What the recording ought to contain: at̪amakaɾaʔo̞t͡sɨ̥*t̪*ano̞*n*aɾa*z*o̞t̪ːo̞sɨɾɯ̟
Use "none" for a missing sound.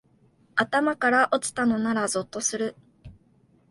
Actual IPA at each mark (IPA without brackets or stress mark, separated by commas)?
t̪, n, z